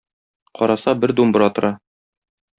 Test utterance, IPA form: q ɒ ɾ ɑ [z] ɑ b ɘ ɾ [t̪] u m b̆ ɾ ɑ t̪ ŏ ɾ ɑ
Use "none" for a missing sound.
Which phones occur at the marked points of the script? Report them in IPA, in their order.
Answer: s, d̪

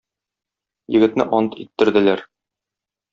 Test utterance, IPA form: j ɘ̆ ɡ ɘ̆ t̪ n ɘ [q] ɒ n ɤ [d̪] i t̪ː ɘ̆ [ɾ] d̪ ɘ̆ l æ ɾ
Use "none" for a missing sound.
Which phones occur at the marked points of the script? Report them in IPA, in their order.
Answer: ʔ, t̪, ɾ

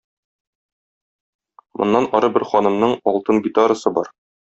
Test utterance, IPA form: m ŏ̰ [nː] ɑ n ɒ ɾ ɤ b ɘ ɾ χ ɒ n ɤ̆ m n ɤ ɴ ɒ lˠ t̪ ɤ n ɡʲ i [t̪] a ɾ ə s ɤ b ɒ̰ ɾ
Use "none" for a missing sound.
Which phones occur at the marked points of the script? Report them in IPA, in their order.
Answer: nː, t̪

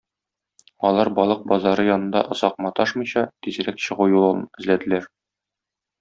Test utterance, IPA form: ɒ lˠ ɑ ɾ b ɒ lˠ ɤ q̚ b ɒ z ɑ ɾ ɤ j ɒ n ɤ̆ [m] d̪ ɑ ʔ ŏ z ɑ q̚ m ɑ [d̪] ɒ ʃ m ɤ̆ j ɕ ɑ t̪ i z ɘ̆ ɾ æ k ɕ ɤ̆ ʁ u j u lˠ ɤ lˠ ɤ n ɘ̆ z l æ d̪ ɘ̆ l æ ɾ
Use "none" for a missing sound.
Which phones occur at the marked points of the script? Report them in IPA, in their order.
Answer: n, t̪

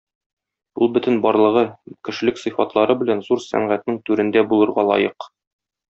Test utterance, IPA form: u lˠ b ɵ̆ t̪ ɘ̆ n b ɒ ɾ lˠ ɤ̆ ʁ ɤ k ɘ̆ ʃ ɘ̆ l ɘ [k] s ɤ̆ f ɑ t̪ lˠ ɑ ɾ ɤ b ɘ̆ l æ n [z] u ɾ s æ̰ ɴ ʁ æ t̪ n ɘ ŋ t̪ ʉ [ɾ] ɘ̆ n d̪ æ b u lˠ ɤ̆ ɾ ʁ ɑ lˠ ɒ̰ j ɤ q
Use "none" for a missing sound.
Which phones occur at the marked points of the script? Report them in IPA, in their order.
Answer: k, z, ɾ

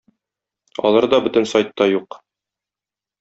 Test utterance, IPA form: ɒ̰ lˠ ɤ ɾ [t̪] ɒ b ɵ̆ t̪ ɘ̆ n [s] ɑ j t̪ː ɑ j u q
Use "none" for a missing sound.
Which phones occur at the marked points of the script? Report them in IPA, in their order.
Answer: d̪, s

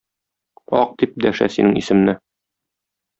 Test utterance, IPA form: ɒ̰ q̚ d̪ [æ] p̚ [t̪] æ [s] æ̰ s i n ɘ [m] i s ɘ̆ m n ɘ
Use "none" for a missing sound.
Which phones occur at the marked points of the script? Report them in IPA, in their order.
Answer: i, d̪, ʃ, ŋ

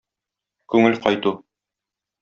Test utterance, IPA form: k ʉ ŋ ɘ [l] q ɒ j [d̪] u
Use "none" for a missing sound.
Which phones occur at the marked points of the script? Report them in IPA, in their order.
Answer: l, t̪

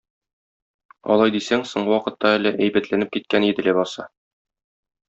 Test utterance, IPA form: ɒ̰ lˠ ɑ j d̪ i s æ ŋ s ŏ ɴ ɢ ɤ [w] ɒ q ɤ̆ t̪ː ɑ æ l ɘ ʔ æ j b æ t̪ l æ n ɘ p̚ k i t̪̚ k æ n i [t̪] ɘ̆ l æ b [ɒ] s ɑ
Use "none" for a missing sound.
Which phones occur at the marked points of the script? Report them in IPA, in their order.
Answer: w, d̪, ɒ

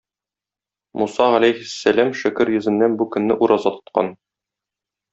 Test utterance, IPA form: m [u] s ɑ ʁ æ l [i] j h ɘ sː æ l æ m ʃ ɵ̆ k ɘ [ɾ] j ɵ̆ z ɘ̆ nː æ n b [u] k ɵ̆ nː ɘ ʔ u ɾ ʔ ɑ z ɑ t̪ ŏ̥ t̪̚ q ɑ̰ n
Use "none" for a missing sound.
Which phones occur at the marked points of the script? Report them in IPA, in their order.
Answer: u, æ, ɾ, u

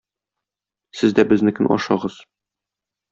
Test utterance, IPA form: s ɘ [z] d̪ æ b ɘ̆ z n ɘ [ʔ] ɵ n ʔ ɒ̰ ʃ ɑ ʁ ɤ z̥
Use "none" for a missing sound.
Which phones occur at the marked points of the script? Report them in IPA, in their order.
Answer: z, k

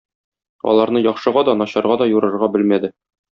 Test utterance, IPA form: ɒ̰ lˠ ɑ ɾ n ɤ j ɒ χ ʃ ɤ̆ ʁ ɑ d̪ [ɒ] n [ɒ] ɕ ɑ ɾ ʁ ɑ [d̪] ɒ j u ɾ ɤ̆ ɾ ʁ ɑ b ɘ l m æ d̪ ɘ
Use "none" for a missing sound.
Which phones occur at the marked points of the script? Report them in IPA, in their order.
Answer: ɒ, ɒ, d̪

